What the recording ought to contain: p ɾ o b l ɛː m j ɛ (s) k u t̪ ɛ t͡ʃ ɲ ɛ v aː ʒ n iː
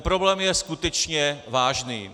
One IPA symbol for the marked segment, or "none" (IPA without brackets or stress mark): s